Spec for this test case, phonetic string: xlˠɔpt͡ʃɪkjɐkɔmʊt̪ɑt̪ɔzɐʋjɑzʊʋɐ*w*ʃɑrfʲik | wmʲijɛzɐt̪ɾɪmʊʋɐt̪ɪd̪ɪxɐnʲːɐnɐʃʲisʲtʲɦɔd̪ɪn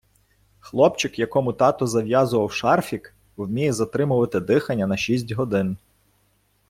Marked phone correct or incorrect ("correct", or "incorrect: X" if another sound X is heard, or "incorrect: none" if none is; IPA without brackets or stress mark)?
correct